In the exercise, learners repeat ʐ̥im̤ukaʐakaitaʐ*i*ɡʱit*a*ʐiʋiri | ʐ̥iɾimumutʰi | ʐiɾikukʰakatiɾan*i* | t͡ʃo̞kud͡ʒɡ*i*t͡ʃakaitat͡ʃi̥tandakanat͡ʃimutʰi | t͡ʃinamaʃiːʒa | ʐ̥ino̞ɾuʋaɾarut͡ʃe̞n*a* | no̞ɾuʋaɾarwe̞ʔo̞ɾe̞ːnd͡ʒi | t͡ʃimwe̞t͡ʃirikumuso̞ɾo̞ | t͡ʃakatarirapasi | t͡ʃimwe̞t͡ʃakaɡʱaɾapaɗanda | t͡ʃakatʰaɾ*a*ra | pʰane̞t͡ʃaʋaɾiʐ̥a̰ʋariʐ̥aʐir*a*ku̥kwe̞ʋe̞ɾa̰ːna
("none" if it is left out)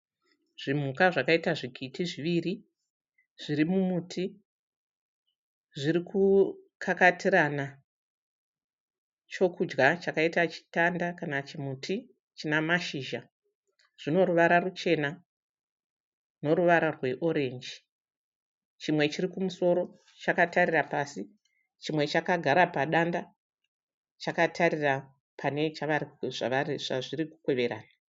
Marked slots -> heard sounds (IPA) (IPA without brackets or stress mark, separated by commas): i, i, a, a, a, i, i